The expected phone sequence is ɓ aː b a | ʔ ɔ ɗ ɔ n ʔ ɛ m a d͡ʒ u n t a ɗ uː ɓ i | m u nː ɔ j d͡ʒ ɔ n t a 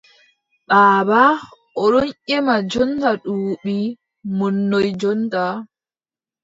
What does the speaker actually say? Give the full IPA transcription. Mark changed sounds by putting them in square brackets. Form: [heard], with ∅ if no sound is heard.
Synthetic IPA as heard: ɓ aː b a | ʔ ɔ ɗ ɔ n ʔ ɛ m a d͡ʒ [ɔ] n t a ɗ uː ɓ i | m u nː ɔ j d͡ʒ ɔ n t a